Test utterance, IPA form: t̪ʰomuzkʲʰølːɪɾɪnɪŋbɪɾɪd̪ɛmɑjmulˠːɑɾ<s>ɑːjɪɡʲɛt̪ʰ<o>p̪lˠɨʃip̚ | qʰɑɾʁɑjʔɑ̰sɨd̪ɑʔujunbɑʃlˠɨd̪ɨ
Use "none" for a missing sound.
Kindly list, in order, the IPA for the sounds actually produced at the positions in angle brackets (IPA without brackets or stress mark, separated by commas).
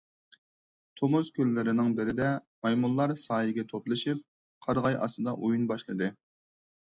s, o